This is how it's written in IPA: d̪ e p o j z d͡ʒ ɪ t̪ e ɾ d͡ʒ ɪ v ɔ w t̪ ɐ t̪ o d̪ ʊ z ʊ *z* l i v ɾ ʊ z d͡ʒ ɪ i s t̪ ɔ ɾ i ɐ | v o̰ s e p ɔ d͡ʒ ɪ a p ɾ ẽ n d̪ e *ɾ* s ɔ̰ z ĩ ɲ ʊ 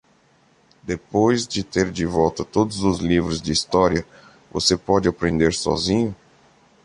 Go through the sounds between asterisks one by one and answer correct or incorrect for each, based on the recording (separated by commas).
correct, correct